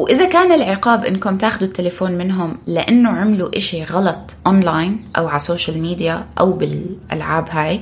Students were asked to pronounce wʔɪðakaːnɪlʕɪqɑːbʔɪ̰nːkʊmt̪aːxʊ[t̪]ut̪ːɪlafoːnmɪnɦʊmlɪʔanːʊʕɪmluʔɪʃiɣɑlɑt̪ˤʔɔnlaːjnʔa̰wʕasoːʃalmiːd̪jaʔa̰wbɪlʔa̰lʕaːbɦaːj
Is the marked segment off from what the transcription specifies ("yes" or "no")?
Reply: yes